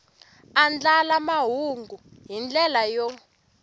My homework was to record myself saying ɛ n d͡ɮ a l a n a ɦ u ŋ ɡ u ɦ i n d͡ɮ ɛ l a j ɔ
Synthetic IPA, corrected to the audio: a n d͡ɮ a l a m a ɦ u ŋ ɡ u ɦ i n d͡ɮ ɛ l a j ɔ

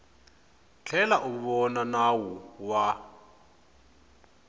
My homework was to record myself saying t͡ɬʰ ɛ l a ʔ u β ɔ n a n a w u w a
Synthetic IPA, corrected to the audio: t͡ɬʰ ɛ l a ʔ u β ɔ n a n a w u w a

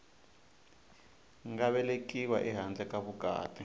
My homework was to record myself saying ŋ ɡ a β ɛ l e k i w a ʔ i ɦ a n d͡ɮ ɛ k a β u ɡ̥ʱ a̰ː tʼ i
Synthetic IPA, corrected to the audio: ŋ ɡ a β ɛ l e k i w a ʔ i ɦ a n d͡ɮ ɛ k a β u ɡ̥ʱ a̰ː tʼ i

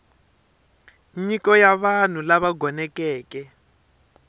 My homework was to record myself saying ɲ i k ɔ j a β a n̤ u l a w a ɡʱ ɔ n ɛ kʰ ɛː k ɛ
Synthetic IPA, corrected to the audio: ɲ i k ɔ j a β a n̤ u l a β a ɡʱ ɔ n ɛ k ɛː k ɛ

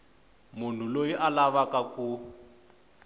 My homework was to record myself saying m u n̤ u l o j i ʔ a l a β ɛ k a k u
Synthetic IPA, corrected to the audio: m u n̤ u l o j i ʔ a l a β a k a k u

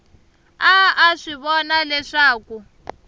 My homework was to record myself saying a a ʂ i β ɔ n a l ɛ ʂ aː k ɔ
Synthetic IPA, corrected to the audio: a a ʂ i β ɔ n a l ɛ ʂ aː k u

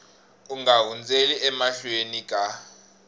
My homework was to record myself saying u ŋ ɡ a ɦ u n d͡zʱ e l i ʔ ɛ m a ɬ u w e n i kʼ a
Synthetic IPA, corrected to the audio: u ŋ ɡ a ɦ u n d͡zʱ e l i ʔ ɛ m a ɬ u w e n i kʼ a

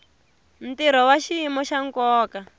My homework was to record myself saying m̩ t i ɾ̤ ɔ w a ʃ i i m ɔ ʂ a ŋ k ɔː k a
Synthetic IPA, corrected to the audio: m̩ t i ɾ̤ ɔ w a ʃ i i m ɔ ʃ a ŋ k ɔː k a

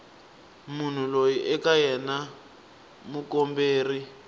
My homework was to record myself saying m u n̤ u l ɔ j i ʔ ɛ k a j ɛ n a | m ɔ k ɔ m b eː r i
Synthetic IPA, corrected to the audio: m u n̤ u l o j i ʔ ɛ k a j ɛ n a | m u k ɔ m b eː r i

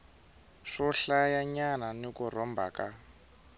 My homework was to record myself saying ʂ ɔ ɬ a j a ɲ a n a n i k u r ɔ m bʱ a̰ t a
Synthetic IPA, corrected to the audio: ʂ ɔ ɬ a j a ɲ a n a n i k u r ɔ m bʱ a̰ k a

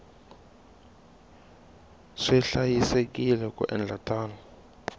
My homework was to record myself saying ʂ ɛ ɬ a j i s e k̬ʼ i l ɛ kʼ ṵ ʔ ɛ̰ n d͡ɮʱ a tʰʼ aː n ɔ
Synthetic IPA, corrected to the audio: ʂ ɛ ɬ a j i s e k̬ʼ i l ɛ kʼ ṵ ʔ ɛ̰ n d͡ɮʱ a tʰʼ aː n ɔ

